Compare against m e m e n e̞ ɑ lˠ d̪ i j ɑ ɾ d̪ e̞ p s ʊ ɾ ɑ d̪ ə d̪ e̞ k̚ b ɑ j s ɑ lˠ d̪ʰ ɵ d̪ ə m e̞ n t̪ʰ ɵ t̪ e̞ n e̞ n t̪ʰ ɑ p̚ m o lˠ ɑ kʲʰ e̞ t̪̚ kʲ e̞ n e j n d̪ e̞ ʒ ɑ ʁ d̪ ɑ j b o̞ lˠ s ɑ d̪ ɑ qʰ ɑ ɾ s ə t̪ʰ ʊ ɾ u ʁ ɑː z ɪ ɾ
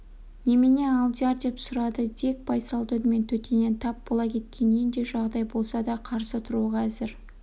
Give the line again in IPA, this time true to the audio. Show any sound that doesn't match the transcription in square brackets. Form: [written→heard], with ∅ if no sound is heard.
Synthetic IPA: [m→n] e m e n e̞ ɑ lˠ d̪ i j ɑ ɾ d̪ e̞ p s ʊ ɾ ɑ d̪ ə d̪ e̞ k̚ b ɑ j s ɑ lˠ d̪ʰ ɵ d̪ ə m e̞ n t̪ʰ ɵ t̪ e̞ n e̞ n t̪ʰ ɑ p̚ [m→b] o lˠ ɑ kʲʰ e̞ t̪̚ kʲ e̞ n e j n d̪ e̞ ʒ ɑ ʁ d̪ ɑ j b o̞ lˠ s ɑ d̪ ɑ qʰ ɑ ɾ s ə t̪ʰ ʊ ɾ u ʁ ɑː z ɪ ɾ